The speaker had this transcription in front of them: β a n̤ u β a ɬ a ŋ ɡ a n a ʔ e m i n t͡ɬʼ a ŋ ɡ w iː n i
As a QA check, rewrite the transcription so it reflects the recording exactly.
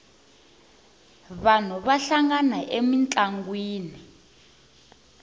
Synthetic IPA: β a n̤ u β a ɬ a ŋ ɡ a n a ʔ e m i n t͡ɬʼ a ŋ ɡ w iː n i